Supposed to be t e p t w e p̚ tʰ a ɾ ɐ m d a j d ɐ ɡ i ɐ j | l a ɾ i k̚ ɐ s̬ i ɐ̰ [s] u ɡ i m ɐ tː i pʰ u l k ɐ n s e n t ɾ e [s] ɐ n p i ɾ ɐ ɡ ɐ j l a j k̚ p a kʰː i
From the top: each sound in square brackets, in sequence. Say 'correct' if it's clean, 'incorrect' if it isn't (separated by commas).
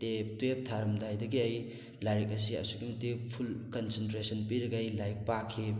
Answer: correct, correct